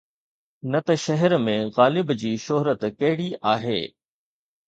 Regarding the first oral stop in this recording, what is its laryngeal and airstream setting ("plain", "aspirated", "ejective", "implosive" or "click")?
plain